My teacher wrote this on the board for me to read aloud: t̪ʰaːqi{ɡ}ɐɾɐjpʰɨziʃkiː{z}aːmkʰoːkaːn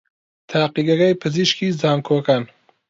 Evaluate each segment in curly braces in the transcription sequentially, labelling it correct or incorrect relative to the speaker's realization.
correct, correct

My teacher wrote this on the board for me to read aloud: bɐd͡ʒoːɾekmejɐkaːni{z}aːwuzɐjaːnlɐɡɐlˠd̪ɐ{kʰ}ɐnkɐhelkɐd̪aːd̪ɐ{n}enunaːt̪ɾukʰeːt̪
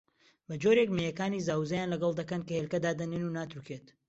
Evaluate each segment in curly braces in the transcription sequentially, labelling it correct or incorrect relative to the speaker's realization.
correct, incorrect: k, correct

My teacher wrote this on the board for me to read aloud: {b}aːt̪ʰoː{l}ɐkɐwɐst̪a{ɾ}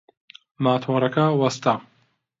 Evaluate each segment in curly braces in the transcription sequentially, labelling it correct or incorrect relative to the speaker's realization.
incorrect: m, incorrect: ɾ, incorrect: none

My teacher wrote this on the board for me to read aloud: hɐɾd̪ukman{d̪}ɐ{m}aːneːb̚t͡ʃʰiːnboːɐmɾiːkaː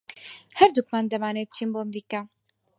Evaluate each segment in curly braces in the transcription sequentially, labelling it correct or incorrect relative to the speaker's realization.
correct, correct

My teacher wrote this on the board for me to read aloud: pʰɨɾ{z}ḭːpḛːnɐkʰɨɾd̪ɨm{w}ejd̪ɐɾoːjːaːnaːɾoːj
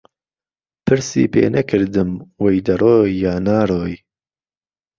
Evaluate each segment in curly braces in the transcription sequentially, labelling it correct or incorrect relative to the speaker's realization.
incorrect: s, correct

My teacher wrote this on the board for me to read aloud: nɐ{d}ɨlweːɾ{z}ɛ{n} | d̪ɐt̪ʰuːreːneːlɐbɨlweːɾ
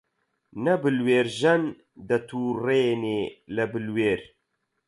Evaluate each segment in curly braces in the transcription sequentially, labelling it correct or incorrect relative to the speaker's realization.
incorrect: b, incorrect: ʒ, correct

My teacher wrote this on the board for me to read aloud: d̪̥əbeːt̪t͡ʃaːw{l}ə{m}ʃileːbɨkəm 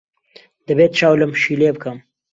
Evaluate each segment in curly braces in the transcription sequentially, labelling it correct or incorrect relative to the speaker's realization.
correct, correct

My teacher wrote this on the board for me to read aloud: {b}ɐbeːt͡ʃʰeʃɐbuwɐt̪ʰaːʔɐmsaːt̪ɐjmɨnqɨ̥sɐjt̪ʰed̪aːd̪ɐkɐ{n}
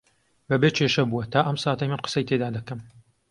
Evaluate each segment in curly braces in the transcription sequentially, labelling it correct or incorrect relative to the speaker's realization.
correct, incorrect: m

